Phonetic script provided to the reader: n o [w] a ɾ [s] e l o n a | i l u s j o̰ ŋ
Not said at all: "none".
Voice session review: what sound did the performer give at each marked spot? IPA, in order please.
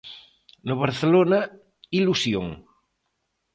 β, θ

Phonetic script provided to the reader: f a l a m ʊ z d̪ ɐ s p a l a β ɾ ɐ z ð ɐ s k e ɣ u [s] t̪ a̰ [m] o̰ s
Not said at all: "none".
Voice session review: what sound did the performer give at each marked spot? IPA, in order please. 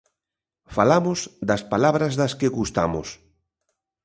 s, m

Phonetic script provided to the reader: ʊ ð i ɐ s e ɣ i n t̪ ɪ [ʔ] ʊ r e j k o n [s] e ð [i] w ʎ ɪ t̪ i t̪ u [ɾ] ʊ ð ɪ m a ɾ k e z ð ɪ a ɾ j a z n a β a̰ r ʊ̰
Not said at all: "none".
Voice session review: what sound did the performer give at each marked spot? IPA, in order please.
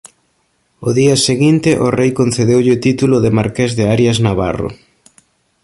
ʔ, θ, e, l

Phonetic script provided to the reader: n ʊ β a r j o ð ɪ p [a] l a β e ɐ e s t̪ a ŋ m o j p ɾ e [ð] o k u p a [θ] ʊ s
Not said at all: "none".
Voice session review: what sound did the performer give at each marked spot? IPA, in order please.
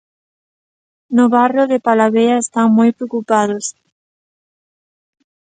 a, none, ð

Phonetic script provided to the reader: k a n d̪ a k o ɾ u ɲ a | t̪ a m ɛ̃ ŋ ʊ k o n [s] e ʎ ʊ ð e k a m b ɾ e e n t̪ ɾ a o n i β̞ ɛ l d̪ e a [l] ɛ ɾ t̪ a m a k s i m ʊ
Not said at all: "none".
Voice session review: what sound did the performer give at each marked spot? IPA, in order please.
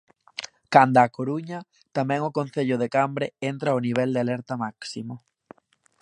θ, l

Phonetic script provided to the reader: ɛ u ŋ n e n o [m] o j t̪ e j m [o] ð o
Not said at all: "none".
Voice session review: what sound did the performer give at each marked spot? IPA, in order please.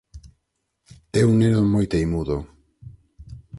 m, u

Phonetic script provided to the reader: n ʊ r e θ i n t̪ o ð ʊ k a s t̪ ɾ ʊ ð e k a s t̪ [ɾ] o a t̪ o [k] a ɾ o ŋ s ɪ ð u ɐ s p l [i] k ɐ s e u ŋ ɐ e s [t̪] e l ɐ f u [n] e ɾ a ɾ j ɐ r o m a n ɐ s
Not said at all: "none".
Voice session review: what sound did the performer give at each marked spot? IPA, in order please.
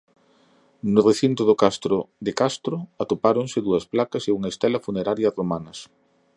ɾ, p, a, t̪, n

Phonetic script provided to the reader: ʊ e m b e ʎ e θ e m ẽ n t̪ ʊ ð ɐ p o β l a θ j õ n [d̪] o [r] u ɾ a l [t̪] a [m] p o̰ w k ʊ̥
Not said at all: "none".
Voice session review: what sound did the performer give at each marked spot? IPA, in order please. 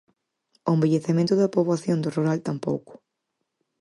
d̪, r, t̪, m

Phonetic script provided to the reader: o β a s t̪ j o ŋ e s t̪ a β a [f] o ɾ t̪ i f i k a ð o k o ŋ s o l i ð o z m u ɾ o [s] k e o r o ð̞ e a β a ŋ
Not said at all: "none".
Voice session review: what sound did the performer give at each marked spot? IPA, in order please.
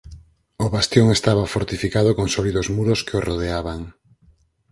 f, s

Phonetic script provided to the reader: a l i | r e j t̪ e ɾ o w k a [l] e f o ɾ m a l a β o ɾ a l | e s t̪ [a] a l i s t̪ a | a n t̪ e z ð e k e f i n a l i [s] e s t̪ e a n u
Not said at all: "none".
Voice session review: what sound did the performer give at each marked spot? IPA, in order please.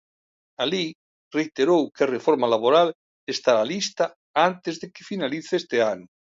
r, a, θ

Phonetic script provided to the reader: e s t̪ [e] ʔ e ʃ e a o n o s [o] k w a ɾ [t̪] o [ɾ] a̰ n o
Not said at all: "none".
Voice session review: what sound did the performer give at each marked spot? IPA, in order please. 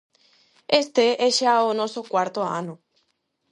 e, o, t̪, none

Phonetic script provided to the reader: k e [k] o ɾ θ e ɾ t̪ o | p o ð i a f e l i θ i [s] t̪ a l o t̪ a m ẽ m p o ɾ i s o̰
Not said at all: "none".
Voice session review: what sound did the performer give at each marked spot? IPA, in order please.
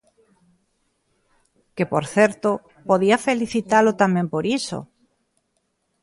p, none

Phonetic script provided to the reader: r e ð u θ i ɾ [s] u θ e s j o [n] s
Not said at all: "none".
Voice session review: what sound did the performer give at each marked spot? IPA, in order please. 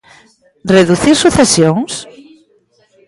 s, ŋ

